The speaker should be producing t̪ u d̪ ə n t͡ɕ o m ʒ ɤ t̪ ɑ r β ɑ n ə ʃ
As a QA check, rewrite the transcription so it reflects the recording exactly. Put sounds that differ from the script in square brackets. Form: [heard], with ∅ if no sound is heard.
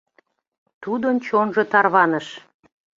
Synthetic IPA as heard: t̪ u d̪ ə n t͡ɕ o [n] ʒ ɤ t̪ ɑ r β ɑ n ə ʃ